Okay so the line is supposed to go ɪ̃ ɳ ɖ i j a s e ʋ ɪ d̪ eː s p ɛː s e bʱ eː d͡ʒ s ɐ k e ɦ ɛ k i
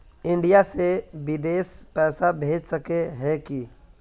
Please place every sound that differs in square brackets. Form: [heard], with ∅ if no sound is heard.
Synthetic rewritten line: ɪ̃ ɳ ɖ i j a s e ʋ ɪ d̪ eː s p ɛː s [a] bʱ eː d͡ʒ s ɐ k e ɦ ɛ k i